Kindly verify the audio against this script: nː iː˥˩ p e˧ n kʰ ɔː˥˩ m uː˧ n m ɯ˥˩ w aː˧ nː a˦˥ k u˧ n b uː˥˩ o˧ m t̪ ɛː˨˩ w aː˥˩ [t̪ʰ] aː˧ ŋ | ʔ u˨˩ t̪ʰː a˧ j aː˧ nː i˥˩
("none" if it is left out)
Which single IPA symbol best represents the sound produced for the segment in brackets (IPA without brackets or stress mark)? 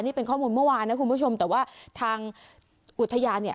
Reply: t̪ʰ